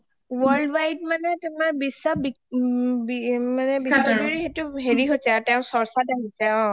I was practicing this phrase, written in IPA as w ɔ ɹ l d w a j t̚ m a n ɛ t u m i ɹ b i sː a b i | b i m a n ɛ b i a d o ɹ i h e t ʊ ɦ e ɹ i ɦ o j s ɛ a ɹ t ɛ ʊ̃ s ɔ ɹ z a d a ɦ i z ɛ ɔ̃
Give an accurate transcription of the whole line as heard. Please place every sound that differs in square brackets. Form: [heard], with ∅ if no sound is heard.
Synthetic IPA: w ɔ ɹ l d w a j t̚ m a n ɛ t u m [a] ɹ b i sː a b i | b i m a n ɛ b i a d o ɹ i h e t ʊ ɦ e ɹ i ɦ o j s ɛ a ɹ t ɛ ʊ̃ s ɔ ɹ [s] a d a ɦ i [s] ɛ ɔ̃